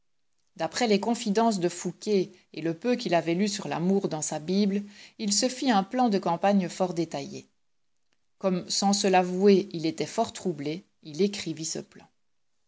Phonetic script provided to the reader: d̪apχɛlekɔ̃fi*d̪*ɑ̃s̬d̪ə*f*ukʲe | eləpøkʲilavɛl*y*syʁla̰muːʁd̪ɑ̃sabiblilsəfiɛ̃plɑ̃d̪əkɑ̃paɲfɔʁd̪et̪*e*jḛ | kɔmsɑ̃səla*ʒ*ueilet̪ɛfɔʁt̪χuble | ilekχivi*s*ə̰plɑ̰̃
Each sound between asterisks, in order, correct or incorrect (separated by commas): correct, correct, correct, incorrect, incorrect, correct